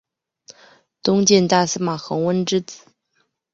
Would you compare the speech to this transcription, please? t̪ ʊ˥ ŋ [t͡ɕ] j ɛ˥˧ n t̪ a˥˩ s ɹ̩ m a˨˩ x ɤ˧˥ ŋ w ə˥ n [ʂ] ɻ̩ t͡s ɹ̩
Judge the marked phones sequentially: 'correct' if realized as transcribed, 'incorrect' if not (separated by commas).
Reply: correct, incorrect